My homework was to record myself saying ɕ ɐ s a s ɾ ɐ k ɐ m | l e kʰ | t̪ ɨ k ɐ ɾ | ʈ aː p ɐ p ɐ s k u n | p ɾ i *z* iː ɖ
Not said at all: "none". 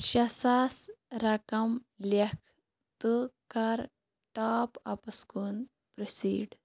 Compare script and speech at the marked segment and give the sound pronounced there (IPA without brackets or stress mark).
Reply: s